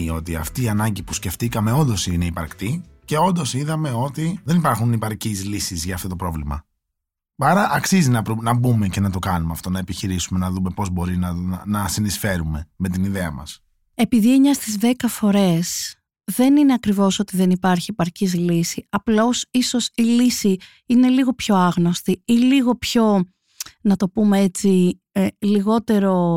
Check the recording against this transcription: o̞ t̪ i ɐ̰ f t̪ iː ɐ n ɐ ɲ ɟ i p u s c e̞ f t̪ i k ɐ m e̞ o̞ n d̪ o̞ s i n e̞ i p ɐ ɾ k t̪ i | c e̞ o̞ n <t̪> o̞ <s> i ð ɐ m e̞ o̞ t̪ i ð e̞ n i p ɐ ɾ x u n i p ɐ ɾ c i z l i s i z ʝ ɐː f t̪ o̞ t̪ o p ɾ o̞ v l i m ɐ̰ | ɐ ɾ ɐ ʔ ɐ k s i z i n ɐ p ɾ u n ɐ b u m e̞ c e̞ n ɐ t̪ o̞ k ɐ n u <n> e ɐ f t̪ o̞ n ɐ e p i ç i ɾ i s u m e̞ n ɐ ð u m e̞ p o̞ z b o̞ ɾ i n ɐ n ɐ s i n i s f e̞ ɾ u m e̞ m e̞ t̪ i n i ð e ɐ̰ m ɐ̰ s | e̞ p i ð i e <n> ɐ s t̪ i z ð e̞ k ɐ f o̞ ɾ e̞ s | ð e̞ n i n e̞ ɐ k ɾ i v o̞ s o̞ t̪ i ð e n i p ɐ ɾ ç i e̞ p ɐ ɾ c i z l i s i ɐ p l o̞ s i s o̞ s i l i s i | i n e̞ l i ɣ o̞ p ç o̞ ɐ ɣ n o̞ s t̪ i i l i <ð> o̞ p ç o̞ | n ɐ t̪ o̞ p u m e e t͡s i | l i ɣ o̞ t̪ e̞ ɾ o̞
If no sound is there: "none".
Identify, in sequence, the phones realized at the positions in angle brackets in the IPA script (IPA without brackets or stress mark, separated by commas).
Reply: d̪, s, m, ɲ, ɣ